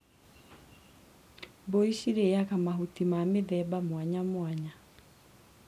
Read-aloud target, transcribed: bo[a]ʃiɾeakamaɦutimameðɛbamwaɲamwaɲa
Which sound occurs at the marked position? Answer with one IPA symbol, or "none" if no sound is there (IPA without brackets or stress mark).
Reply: i